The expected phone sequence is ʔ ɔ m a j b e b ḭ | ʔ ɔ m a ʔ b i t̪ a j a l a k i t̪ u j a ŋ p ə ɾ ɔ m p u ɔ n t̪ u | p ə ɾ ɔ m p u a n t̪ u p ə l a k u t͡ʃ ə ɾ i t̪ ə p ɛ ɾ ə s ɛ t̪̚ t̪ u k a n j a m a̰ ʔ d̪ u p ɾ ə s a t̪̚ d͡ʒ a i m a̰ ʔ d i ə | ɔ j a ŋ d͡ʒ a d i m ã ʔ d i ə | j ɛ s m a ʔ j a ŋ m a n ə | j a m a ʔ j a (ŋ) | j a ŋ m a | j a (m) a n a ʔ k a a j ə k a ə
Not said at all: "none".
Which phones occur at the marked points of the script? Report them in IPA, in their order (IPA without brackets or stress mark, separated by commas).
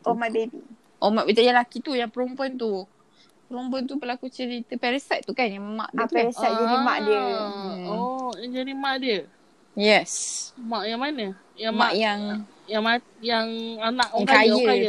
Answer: ŋ, ŋ